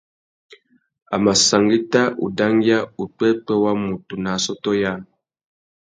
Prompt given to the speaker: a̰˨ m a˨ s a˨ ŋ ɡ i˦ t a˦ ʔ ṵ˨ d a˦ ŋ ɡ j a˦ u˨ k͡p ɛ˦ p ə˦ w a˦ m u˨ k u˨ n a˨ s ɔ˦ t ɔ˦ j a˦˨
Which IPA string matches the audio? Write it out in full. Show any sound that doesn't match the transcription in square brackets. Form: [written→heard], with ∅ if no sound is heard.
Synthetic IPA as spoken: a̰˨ m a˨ s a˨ ŋ ɡ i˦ t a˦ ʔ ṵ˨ d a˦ ŋ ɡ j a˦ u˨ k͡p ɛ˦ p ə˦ w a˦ m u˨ [k→t] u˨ n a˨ s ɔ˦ t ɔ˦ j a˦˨